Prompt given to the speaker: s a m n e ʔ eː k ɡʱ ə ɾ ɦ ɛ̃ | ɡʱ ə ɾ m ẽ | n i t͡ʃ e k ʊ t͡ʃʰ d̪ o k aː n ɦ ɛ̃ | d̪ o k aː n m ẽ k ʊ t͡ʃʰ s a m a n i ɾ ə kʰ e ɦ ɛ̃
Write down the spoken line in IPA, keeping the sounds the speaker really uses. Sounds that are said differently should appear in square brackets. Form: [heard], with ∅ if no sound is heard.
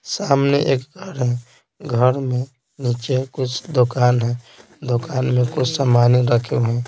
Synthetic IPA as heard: s a m n e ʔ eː k ɡʱ ə ɾ ɦ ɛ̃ | ɡʱ ə ɾ m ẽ | n i t͡ʃ e k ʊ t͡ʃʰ d̪ o k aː n ɦ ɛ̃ | d̪ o k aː n m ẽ k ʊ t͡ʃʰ s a m a n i ɾ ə kʰ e ɦ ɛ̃